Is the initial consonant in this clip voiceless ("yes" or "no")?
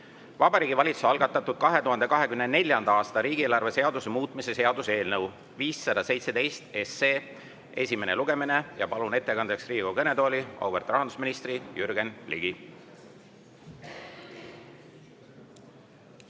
no